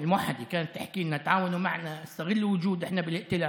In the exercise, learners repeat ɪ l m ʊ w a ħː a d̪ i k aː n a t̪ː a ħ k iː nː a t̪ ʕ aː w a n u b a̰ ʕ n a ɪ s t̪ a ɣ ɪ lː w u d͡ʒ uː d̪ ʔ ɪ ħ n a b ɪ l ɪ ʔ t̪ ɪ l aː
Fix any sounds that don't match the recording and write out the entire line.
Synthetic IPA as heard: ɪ l m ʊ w a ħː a d̪ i k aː n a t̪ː a ħ k iː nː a t̪ ʕ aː w a n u m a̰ ʕ n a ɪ s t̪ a ɣ ɪ lː w ʊ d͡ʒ uː d̪ ʔ ɪ ħ n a b ɪ l ɪ ʔ t̪ ɪ l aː